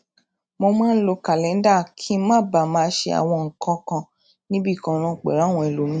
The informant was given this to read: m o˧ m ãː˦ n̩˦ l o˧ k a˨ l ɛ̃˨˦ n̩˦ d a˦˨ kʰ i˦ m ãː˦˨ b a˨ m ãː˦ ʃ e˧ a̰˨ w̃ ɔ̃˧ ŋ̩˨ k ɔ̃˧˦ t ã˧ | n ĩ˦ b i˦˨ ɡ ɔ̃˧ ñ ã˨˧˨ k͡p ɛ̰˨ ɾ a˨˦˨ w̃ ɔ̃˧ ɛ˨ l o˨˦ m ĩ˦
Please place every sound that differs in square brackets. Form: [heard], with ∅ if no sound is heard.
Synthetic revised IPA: m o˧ m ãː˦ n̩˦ l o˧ k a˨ l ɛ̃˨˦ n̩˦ d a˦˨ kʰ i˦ m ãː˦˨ b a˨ m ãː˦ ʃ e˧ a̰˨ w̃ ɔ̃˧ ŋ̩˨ k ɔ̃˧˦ [k] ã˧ | n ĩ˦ b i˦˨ [k] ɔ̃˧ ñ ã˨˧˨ k͡p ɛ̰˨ ɾ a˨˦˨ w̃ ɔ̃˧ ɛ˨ l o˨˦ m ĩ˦

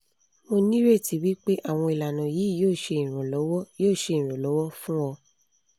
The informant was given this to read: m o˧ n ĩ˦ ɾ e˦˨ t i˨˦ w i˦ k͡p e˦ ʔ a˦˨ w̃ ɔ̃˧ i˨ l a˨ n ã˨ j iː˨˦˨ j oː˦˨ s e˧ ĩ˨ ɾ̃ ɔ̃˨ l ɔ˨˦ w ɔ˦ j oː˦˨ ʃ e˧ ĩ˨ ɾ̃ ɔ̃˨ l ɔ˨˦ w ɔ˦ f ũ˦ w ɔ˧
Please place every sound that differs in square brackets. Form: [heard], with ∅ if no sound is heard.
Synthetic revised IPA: m o˧ n ĩ˦ ɾ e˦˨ t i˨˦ w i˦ k͡p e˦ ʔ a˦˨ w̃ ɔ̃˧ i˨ l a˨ n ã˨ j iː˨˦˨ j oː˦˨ [ʃ] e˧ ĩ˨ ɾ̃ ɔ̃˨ l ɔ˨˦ w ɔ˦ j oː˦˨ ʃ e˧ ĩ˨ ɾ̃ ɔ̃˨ l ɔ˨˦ w ɔ˦ f ũ˦ w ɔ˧

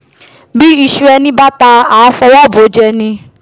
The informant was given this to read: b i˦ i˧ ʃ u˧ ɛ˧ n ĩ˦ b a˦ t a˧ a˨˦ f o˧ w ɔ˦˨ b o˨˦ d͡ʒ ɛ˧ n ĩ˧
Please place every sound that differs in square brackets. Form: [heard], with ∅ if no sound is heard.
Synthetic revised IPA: b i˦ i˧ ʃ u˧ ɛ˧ n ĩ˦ b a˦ t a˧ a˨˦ f [ɔ˧] w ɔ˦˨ b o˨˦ d͡ʒ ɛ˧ n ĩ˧

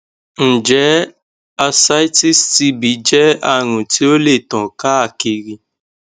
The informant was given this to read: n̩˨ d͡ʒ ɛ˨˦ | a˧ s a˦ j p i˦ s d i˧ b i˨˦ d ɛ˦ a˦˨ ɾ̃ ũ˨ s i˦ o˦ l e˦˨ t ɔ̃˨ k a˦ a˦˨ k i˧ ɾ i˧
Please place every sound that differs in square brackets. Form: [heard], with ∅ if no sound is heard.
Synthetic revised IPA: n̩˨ d͡ʒ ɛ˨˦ | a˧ s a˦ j [t] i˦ s [t] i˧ b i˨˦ [d͡ʒ] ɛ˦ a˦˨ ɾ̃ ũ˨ [t] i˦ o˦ l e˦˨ t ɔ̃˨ k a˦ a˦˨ k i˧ ɾ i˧

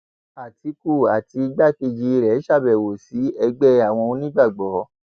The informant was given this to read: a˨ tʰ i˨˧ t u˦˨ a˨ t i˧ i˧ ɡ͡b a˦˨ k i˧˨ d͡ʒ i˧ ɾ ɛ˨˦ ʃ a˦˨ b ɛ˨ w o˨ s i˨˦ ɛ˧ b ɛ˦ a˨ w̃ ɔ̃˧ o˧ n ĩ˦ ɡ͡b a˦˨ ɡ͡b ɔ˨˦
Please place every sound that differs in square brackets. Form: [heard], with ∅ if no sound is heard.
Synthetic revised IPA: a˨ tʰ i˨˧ [k] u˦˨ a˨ t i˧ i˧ ɡ͡b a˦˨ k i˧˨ d͡ʒ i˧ ɾ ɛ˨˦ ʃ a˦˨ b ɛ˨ w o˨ s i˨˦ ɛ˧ [ɡ͡b] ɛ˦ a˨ w̃ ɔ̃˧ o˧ n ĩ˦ ɡ͡b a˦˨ ɡ͡b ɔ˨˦

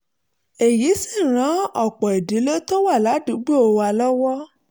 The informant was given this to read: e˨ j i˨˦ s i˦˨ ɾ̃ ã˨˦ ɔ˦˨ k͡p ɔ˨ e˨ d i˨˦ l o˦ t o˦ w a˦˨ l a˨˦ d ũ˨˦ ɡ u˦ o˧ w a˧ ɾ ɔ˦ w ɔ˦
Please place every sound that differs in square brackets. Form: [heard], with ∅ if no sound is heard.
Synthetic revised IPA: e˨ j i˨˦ s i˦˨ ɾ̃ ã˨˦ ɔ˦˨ k͡p ɔ˨ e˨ d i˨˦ l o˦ t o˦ w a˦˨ l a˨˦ d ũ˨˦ [ɡ͡b] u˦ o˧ w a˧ [l] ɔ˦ w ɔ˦

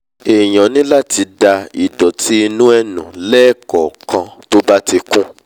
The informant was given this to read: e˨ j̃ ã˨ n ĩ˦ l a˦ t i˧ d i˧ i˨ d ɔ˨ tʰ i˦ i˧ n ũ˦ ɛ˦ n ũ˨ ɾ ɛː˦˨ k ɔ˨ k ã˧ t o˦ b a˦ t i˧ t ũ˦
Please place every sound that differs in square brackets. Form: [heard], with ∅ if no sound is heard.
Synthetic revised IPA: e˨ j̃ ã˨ n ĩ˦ l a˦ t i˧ d [a˧] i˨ d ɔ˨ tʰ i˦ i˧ n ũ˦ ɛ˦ n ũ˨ [l] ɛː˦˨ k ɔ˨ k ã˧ t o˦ b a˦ t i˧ [k] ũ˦

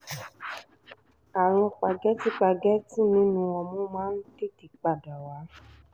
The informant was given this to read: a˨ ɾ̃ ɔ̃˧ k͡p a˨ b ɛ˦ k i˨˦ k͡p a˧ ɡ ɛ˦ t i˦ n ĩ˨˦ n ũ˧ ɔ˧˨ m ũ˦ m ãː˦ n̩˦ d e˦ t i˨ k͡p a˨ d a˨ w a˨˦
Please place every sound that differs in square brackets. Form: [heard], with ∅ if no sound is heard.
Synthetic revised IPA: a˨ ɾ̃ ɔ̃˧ k͡p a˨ [ɡ] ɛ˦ [t] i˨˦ k͡p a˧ ɡ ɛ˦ t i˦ n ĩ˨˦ n ũ˧ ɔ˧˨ m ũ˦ m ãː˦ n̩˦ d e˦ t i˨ k͡p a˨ d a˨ w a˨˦

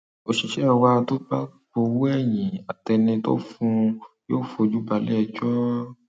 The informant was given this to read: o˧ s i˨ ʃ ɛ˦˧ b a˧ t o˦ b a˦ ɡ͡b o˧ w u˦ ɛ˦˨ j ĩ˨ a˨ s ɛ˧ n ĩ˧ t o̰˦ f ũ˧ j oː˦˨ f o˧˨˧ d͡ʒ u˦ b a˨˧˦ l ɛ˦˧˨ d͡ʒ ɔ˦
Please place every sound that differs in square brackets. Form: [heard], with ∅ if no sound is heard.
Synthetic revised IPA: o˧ [ʃ] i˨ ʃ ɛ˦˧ [w] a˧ t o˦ b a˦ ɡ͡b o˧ w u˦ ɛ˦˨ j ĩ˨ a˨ [t] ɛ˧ n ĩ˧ t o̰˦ f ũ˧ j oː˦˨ f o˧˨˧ d͡ʒ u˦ b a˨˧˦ l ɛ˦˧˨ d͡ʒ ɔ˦

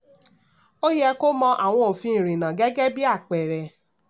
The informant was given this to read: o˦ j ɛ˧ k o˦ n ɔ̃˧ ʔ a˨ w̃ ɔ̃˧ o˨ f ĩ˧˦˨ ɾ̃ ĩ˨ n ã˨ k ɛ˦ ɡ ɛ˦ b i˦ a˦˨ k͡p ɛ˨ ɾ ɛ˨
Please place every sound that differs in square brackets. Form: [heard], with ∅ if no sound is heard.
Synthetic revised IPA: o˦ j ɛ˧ k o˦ [m] ɔ̃˧ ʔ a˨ w̃ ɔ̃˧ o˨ f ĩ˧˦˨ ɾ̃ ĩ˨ n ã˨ [ɡ] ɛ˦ ɡ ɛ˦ b i˦ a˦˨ k͡p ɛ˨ ɾ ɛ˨

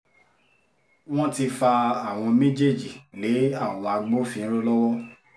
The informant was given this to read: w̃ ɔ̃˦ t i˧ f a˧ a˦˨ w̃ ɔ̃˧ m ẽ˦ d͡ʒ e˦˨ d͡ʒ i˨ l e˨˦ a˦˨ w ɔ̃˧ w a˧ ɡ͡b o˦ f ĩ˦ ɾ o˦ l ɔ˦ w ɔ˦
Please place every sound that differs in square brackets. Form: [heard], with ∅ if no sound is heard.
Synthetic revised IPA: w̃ ɔ̃˦ t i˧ f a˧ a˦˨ w̃ ɔ̃˧ m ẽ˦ d͡ʒ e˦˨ d͡ʒ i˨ l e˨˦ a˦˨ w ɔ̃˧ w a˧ ɡ͡b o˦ f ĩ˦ ɾ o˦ l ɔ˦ w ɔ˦

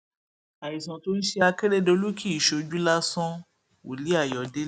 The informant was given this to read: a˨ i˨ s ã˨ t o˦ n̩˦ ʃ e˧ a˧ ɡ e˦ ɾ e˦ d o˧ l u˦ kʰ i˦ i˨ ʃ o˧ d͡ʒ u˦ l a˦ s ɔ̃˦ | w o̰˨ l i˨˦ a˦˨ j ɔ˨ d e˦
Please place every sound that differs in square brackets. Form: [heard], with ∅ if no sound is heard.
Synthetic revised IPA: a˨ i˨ s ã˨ t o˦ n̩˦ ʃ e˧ a˧ [k] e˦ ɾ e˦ d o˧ l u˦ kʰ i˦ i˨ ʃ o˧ d͡ʒ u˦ l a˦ s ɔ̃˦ | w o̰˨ l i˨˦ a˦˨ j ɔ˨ d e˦

